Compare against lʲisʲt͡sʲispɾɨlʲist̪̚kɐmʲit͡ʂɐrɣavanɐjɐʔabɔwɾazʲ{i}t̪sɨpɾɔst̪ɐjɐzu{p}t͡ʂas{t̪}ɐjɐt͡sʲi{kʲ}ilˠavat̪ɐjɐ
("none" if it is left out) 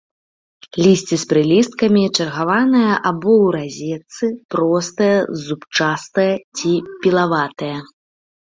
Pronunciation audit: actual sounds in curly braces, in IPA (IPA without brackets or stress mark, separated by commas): ɛ, p, t̪, pʲ